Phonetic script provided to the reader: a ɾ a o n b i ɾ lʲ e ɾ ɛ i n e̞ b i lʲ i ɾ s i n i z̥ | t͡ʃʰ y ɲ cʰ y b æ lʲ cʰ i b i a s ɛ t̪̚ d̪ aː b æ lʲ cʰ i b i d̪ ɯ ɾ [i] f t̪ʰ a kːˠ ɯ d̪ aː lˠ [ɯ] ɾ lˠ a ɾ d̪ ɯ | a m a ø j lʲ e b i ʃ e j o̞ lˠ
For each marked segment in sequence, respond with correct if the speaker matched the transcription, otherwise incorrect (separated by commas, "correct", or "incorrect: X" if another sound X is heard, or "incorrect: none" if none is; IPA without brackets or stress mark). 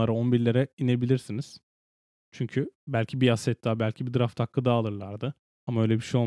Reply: incorrect: a, correct